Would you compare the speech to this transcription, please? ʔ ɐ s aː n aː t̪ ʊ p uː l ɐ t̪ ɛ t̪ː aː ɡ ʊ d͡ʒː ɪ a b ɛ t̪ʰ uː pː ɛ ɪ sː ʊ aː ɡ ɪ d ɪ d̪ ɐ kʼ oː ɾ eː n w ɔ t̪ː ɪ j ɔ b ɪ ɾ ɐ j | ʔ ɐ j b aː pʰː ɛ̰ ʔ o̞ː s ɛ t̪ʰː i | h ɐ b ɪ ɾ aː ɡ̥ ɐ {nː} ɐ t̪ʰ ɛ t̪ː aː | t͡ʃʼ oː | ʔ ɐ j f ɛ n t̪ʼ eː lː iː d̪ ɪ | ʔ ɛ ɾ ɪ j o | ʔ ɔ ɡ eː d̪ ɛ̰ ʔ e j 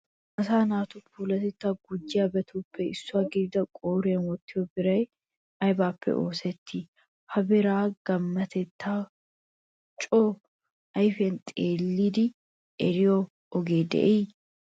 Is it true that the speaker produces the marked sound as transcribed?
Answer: no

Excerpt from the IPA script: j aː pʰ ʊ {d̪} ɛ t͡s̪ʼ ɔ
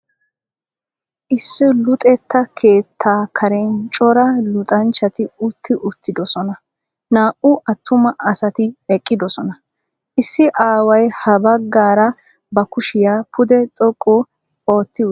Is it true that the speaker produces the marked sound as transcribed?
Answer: yes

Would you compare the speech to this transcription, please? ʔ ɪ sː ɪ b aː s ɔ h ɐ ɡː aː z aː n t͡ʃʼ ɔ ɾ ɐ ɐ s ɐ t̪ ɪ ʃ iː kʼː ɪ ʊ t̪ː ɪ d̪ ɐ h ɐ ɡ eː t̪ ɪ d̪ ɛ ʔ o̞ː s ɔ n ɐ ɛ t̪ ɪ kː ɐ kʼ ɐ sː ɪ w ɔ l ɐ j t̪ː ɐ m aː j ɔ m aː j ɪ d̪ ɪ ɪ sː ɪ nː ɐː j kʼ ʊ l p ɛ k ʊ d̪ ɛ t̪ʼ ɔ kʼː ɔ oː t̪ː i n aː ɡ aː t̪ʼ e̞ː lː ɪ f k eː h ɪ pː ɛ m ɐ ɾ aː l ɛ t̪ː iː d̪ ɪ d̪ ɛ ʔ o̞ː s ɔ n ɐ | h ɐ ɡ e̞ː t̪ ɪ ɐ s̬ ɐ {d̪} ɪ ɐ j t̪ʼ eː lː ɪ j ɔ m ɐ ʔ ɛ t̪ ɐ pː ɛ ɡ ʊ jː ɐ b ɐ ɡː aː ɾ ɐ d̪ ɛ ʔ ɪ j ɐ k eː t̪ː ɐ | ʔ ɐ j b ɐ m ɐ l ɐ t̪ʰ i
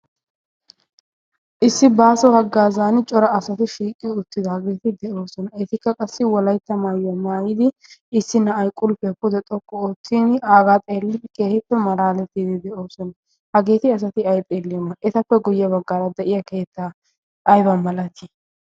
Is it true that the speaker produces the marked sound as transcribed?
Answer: no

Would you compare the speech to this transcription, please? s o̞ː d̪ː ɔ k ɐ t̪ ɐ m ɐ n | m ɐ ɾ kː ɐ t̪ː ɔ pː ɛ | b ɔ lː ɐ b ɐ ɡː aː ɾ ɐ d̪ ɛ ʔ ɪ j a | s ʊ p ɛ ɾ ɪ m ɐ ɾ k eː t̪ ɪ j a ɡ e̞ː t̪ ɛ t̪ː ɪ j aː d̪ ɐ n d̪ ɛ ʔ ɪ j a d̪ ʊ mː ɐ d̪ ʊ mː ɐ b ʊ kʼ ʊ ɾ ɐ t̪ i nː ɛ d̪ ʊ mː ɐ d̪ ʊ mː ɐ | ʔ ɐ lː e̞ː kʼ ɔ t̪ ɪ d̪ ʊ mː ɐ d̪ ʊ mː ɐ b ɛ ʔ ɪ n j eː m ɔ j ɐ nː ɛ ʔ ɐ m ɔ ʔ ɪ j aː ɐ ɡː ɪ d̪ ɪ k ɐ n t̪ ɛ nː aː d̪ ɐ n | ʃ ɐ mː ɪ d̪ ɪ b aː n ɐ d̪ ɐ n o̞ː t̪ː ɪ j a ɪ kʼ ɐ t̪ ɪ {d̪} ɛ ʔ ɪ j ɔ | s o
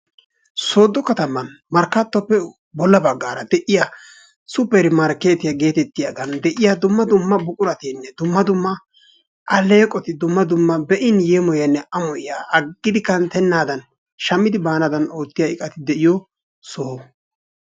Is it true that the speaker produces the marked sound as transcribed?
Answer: yes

